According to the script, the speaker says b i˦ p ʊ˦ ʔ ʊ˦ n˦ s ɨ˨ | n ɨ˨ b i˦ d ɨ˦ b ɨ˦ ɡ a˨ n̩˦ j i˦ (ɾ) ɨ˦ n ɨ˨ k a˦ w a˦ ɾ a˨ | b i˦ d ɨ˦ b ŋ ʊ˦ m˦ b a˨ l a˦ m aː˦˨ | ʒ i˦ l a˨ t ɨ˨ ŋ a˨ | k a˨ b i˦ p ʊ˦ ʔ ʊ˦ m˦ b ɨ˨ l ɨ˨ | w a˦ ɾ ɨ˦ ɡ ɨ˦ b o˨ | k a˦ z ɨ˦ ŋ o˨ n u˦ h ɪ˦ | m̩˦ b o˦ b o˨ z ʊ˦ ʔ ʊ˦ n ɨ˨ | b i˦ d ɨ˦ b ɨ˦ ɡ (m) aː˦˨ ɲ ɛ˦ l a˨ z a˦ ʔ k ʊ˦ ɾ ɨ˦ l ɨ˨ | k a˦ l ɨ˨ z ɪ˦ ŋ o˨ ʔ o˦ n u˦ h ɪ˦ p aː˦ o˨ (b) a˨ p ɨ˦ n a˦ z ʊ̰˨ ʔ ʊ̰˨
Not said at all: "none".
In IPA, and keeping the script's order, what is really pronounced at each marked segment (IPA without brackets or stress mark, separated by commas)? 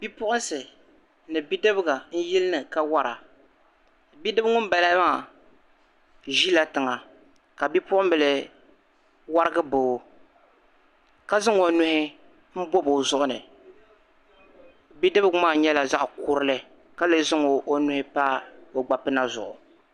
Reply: l, m, ɡ͡b